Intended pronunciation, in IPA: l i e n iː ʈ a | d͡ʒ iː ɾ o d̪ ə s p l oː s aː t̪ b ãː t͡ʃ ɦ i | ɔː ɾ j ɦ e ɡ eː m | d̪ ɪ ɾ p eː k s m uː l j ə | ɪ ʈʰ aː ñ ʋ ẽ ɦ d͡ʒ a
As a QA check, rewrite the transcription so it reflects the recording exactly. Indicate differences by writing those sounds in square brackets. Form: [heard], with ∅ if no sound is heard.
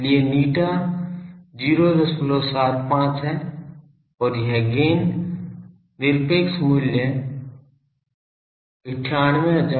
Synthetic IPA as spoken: l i e n iː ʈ a | d͡ʒ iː ɾ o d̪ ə s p l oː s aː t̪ [p] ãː t͡ʃ ɦ [ɛ] | ɔː ɾ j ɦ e ɡ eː [n] | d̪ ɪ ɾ p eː k s m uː l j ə | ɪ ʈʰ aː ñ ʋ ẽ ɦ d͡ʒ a